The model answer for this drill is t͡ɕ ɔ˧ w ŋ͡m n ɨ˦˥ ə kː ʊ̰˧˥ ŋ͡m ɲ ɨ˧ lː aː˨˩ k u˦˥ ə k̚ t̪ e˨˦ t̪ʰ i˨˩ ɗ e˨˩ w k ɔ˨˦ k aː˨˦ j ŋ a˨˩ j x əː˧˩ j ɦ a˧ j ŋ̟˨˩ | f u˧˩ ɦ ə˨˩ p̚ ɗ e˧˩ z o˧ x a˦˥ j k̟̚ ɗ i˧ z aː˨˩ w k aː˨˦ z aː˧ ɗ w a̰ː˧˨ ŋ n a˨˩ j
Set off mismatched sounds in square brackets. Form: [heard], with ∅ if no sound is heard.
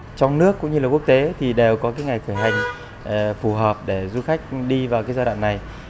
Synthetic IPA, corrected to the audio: t͡ɕ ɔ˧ w ŋ͡m n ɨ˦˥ ə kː ʊ̰˧˥ ŋ͡m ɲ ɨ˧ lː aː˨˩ k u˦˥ ə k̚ t̪ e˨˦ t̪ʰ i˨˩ ɗ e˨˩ w k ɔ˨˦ k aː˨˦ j ŋ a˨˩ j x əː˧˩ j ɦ [a˨˩] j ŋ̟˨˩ | f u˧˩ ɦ [əː˨˩] p̚ ɗ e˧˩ z [u˧] x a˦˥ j k̟̚ ɗ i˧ [v] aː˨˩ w k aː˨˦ z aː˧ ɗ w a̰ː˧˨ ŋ n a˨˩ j